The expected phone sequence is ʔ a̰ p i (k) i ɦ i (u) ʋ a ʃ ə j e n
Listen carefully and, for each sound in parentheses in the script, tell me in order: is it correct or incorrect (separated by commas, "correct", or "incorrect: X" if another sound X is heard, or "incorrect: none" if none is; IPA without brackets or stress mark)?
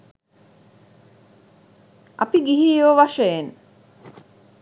incorrect: ɡ, incorrect: o